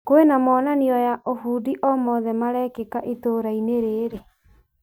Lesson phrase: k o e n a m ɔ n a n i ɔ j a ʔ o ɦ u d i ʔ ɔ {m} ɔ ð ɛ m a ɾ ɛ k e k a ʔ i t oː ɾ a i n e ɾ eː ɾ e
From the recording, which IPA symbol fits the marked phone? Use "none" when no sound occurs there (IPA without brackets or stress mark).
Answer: m